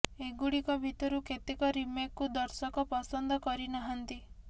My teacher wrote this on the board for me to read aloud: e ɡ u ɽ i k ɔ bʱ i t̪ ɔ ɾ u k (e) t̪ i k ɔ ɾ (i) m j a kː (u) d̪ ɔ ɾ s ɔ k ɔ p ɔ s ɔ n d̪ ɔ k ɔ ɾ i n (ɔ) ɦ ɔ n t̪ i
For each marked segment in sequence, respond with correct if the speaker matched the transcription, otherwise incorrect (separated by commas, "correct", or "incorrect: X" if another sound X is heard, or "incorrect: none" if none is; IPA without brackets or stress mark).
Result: correct, correct, correct, correct